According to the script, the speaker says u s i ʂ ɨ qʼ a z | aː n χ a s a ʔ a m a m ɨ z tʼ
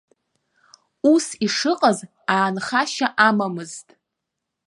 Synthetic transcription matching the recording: u s i ʂ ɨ qʼ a z | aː n χ a ʃ a ʔ a m a m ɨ z tʼ